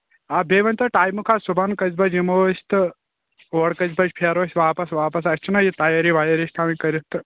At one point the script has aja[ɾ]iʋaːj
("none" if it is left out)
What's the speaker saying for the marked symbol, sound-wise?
ɾ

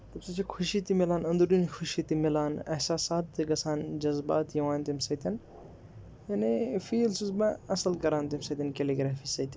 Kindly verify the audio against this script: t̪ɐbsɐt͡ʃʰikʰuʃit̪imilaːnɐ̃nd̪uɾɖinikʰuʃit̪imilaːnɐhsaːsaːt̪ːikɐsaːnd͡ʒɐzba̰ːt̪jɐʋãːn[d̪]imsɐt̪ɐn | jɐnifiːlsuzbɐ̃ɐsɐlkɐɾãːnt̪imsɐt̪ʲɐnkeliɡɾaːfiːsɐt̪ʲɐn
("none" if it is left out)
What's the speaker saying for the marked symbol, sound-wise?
t̪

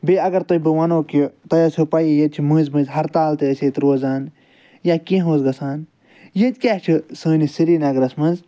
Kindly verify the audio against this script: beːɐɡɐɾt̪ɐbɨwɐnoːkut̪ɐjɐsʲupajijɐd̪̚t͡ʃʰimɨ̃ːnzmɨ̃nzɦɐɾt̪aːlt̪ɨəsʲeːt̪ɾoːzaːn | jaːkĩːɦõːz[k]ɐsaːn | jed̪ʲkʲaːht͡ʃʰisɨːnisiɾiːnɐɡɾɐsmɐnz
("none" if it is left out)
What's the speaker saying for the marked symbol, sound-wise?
ɡ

